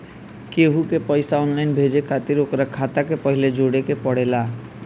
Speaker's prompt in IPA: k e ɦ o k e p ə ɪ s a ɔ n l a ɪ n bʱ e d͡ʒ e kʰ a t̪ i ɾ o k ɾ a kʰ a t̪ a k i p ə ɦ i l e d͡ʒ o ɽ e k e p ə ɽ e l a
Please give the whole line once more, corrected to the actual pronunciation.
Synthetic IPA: k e ɦ u k e p ə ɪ s a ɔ n l a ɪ n bʱ e d͡ʒ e kʰ a t̪ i ɾ o k ɾ a kʰ a t̪ a k e p ə ɦ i l e d͡ʒ o ɽ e k e p ə ɽ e l a